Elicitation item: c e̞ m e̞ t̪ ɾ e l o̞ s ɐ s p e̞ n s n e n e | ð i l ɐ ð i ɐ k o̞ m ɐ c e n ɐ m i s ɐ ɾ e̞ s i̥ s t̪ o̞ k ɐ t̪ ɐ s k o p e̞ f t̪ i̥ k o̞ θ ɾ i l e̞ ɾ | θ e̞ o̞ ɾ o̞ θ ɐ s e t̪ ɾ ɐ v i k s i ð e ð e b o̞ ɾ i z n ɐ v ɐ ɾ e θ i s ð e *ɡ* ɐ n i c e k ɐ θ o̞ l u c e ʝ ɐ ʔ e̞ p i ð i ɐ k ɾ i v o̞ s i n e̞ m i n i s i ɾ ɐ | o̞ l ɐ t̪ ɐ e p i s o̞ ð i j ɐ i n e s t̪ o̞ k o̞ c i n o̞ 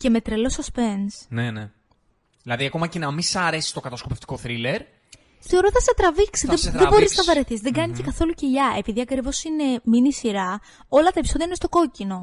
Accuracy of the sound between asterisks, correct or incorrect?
correct